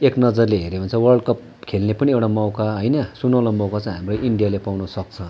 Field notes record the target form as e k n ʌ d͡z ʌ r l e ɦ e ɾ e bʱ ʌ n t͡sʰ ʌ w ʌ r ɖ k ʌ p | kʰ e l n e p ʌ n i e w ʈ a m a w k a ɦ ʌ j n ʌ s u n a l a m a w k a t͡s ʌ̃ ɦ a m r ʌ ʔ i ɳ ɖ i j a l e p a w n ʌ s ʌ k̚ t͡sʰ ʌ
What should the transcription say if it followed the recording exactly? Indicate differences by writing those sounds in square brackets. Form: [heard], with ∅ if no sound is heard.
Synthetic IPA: e k n ʌ d͡z ʌ r l e ɦ e ɾ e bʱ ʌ n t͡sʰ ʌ w ʌ r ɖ k ʌ p | kʰ e l n e p ʌ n i e w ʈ a m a w k a ɦ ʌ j n ʌ s u n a l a m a w k a t͡s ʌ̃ ɦ a m r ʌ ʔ i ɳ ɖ i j a l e p a w n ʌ s ʌ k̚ t͡sʰ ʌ